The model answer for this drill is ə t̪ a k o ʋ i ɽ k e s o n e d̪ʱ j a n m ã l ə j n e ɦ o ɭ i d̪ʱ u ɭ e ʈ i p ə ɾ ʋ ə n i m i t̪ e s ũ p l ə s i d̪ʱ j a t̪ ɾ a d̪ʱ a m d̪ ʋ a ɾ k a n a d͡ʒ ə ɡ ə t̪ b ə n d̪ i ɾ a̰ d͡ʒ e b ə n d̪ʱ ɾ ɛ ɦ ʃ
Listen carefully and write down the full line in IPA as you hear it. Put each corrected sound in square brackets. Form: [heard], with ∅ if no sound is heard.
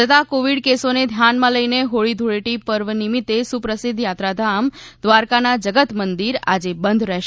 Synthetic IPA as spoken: ə t̪ a k o ʋ i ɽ k e s o n e d̪ʱ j a n m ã l ə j n e ɦ o ɭ i d̪ʱ u ɭ e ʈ i p ə ɾ ʋ ə n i m i t̪ e s [u] p [ɾ] ə s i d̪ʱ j a t̪ ɾ a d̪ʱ a m d̪ ʋ a ɾ k a n a d͡ʒ ə ɡ ə t̪ [m] ə n d̪ i ɾ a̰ d͡ʒ e b ə n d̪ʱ ɾ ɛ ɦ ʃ